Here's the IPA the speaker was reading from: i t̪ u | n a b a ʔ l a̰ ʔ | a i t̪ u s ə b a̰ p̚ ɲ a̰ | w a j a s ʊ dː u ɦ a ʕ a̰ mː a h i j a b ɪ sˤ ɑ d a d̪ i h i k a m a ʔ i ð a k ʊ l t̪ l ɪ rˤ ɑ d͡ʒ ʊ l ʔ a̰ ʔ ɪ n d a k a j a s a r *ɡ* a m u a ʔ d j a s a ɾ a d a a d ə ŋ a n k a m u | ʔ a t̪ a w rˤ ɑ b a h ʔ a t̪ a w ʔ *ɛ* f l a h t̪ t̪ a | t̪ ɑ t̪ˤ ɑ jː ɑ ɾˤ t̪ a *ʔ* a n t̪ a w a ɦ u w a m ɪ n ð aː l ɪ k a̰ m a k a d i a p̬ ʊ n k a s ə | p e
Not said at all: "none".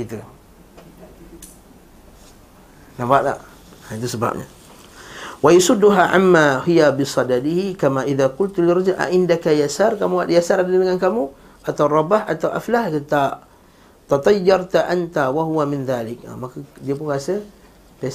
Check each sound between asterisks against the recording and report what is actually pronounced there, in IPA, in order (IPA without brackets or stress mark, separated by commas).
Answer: k, a, ʔ